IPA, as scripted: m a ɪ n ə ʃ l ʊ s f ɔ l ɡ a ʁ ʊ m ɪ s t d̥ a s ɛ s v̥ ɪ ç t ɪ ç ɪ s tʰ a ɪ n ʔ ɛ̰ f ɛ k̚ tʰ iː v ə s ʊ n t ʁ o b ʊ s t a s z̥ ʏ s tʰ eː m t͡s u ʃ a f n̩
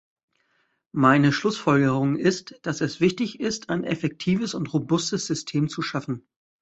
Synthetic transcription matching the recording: m a ɪ n ə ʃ l ʊ s f ɔ l ɡ ə ʁ ʊ ŋ ɪ s t d̥ a s ɛ s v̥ ɪ ç t ɪ ç ɪ s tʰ a ɪ n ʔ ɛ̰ f ɛ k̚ tʰ iː v ə s ʊ n t ʁ o b ʊ s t ə s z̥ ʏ s tʰ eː m t͡s u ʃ a f n̩

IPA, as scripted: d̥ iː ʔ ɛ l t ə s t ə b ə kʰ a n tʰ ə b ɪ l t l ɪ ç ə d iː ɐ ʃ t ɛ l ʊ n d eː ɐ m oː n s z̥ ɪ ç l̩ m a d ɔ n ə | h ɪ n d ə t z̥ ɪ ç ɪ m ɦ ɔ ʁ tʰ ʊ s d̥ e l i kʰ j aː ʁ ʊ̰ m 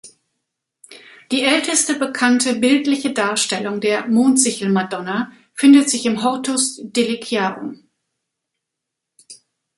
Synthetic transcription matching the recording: d̥ iː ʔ ɛ l t ə s t ə b ə kʰ a n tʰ ə b ɪ l t l ɪ ç ə d aː ɐ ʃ t ɛ l ʊ ŋ d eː ɐ m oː n t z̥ ɪ ç l̩ m a d ɔ n a | f ɪ n d ə t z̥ ɪ ç ɪ m ɦ ɔ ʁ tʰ ʊ s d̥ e l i kʰ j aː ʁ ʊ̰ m

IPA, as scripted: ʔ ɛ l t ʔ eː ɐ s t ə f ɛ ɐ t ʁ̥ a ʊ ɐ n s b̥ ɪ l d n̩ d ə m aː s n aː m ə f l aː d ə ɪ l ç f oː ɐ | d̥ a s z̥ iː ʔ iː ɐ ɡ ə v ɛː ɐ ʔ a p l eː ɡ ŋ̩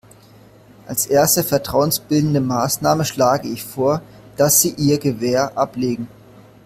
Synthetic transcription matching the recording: ʔ a l s ʔ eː ɐ s t ə f ɛ ɐ t ʁ̥ a ʊ ə n s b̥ ɪ l d n̩ d ə m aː s n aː m ə ʃ l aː ɡ ə ɪ ç f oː ɐ | d̥ a s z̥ iː ʔ iː ɐ ɡ ə v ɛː ɐ ʔ a p l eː ɡ ŋ̩

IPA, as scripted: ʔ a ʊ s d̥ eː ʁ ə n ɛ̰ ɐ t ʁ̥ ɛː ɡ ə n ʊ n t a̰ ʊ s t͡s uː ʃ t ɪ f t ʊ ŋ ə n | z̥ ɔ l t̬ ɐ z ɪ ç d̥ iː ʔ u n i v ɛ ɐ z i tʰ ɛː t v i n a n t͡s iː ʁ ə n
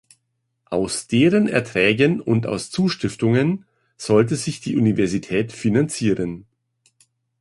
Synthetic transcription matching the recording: ʔ a ʊ s d̥ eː ʁ ə n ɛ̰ ɐ t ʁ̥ ɛː ɡ ə n ʊ n t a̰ ʊ s t͡s uː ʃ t ɪ f t ʊ ŋ ə n | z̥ ɔ l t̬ ə z ɪ ç d̥ iː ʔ u n i v ɛ ɐ z i tʰ ɛː t f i n a n t͡s iː ʁ ə n

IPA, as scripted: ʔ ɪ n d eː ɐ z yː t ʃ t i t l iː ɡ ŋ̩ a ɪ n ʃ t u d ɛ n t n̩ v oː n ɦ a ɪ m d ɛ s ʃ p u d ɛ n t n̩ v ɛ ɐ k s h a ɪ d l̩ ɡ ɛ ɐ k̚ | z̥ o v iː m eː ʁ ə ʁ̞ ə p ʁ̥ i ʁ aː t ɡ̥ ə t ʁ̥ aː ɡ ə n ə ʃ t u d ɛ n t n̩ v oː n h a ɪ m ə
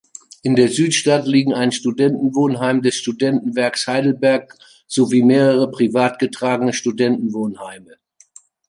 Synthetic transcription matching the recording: ʔ ɪ n d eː ɐ z yː t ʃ t a t l iː ɡ ŋ̩ a ɪ n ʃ t u d ɛ n t n̩ v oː n ɦ a ɪ m d ɛ s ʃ t u d ɛ n t n̩ v ɛ ɐ k s h a ɪ d l̩ b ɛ ɐ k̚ | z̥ o v iː m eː ʁ ə ʁ̞ ə p ʁ̥ i v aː t ɡ̥ ə t ʁ̥ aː ɡ ə n ə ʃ t u d ɛ n t n̩ v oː n h a ɪ m ə

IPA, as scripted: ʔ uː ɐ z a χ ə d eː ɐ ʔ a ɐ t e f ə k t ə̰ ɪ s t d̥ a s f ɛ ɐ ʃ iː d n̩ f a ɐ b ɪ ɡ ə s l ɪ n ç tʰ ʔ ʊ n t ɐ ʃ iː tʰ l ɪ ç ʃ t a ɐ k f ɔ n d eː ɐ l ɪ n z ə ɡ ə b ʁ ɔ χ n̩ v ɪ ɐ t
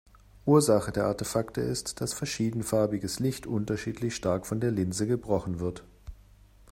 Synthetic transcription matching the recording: ʔ uː ɐ z a χ ə d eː ɐ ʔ a ɐ t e f a k t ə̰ ɪ s t d̥ a s f ɛ ɐ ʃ iː d n̩ f a ɐ b ɪ ɡ ə s l ɪ ç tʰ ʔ ʊ n t ɐ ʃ iː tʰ l ɪ ç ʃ t a ɐ k f ɔ n d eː ɐ l ɪ n z ə ɡ ə b ʁ ɔ χ n̩ v ɪ ɐ t

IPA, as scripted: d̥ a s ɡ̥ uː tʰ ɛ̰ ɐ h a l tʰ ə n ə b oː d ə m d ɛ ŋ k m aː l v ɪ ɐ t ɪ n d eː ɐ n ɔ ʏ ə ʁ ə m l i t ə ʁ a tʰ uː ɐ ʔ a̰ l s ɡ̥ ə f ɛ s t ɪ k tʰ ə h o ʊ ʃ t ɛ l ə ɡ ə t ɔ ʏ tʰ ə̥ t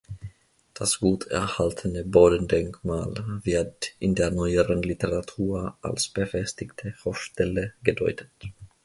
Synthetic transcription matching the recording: d̥ a s ɡ̥ uː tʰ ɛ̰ ɐ h a l tʰ ə n ə b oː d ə n d ɛ ŋ k m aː l v ɪ ɐ t ɪ n d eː ɐ n ɔ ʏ ə ʁ ə n l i t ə ʁ a tʰ uː ɐ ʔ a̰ l s b̥ ə f ɛ s t ɪ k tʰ ə h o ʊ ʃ t ɛ l ə ɡ ə d ɔ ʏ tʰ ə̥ t

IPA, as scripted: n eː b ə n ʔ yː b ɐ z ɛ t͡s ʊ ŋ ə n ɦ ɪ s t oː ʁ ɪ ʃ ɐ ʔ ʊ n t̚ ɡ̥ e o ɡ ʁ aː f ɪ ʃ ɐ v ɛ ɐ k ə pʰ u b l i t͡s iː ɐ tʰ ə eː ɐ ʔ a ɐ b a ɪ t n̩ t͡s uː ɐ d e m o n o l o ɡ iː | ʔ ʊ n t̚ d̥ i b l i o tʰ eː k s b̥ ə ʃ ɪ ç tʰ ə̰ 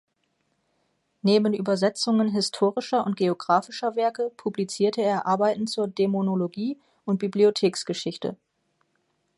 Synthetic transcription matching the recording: n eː b ə n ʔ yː b ɐ z ɛ t͡s ʊ ŋ ə n ɦ ɪ s tʰ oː ʁ ɪ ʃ ɐ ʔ ʊ n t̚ ɡ̥ e o ɡ ʁ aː f ɪ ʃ ɐ v ɛ ɐ k ə pʰ u b l i t͡s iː ɐ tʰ ə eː ɐ ʔ a ɐ b a ɪ t n̩ t͡s uː ɐ d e m o n o l o ɡ iː | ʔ ʊ n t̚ b̥ i b l i o tʰ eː k s ɡ̥ ə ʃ ɪ ç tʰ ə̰

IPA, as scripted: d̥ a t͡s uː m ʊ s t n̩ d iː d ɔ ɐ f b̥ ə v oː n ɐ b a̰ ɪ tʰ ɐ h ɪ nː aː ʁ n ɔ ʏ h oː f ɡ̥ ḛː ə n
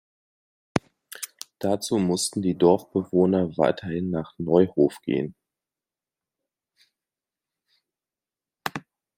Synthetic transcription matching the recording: d̥ a t͡s uː m ʊ s t n̩ d iː d ɔ ɐ f b̥ ə v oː n ɐ v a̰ ɪ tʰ ɐ h ɪ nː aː χ n ɔ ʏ h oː f ɡ̥ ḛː ə n

